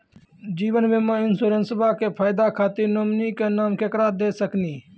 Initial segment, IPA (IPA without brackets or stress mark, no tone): d͡ʒ